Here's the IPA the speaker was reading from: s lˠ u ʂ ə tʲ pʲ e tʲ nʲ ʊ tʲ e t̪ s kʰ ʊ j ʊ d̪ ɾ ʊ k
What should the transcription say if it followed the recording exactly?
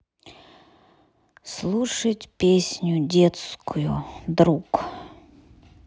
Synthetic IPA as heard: s lˠ u ʂ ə tʲ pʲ e sʲ nʲ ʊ dʲ e t̪ s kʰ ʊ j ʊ d̪ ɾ u k